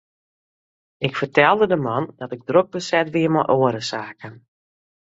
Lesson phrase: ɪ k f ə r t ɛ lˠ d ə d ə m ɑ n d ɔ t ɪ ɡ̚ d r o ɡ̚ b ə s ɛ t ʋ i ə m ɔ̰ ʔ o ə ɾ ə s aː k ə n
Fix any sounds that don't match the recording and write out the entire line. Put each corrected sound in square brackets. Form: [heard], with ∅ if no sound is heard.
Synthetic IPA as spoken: ɪ k f ə r t ɛ lˠ d ə d ə m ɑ n d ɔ t ɪ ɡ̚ d r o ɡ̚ b ə s ɛ t ʋ i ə m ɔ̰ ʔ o ə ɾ ə s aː k ə n

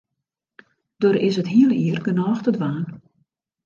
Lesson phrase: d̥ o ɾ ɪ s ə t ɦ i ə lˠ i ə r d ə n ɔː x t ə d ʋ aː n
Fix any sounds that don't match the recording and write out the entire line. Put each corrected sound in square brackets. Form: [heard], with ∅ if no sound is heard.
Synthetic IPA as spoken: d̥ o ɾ ɪ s ə t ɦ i ə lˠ i ə r [ɡ] ə n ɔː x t ə d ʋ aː n

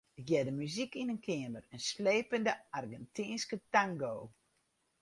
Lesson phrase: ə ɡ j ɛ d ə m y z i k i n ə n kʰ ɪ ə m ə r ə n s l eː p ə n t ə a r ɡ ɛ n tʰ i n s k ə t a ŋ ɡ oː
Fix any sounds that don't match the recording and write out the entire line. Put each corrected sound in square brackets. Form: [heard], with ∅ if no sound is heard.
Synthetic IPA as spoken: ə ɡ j ɛ d ə m y z i k i n ə n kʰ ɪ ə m ə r ə n s l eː p ə n [d] ə a r ɡ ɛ n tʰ i n s k ə t a ŋ ɡ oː

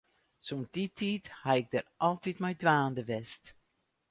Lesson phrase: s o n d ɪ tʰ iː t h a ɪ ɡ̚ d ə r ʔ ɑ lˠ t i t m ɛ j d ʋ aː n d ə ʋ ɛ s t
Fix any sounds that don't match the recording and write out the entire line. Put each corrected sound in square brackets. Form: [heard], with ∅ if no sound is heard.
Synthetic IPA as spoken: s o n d [i] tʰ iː t h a ɪ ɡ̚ d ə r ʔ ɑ lˠ t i t m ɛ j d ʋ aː n d ə ʋ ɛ s t

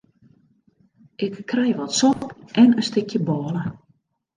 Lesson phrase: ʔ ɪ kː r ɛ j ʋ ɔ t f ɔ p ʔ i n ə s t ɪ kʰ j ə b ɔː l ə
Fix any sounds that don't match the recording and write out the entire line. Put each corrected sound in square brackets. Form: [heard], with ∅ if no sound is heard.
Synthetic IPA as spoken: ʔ ɪ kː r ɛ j ʋ ɔ t [s] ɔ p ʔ [ɛ] n ə s t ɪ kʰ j ə b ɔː l ə

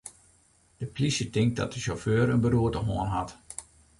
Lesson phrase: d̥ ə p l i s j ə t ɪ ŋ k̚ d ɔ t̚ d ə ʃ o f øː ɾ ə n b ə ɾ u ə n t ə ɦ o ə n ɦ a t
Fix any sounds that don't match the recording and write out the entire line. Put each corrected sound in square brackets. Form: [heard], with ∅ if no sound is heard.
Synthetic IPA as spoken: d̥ ə p l i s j ə t ɪ ŋ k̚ d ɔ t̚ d ə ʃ o f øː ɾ ə n b ə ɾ u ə [∅] t ə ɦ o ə n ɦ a t

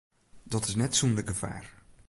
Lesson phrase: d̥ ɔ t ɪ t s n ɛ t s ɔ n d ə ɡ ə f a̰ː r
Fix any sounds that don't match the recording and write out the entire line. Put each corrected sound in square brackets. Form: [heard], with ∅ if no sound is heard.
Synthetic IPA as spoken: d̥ ɔ t ɪ [∅] s n ɛ t s [u] n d ə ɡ ə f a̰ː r

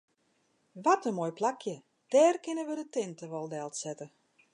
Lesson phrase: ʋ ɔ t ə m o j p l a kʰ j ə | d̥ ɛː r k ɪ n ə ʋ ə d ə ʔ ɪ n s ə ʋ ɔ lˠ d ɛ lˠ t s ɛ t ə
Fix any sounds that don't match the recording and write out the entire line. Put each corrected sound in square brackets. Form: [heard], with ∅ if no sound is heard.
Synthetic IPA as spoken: ʋ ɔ t ə m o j p l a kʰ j ə | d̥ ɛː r k ɪ n ə ʋ ə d ə [t] ɪ n [t] ə ʋ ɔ lˠ d ɛ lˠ t s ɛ t ə

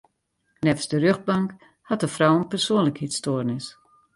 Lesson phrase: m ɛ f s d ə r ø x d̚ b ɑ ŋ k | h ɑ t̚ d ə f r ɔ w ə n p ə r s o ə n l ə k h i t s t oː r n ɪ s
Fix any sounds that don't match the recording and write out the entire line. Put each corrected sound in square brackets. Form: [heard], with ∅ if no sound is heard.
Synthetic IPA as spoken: [n] ɛ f s d ə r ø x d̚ b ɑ ŋ k | h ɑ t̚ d ə f r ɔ w ə n p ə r s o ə n l ə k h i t s t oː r n ɪ s

